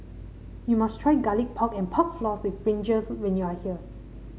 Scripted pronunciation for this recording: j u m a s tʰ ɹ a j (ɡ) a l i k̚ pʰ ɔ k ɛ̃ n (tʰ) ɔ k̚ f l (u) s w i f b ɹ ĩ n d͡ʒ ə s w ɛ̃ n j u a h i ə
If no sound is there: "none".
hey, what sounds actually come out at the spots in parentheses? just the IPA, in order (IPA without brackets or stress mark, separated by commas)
ɡ, pʰ, ɔ